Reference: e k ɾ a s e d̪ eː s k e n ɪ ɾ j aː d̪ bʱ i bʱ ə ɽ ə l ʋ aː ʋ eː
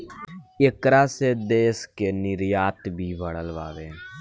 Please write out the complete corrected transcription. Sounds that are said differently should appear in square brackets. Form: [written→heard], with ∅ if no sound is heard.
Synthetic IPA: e k ɾ a s e d̪ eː s k e n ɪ ɾ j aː [d̪→t̪] bʱ i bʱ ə ɽ ə l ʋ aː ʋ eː